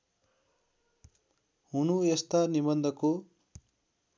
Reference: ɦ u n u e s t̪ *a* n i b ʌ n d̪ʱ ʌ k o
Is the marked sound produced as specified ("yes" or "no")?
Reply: yes